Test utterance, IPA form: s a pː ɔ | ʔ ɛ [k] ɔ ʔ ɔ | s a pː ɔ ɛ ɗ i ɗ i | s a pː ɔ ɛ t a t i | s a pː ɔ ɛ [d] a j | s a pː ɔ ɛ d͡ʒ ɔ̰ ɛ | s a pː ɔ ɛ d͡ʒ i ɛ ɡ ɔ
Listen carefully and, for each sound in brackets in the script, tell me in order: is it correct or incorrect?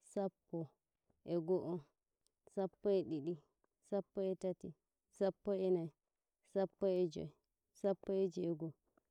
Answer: incorrect, incorrect

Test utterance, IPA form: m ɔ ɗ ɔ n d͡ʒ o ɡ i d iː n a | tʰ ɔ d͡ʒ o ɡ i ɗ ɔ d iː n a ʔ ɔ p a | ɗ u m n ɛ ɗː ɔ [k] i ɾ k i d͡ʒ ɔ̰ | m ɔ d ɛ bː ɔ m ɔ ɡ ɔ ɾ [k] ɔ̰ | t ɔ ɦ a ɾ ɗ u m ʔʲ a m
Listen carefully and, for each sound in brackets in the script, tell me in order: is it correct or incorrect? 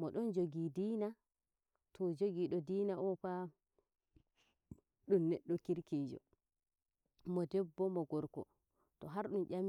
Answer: correct, correct

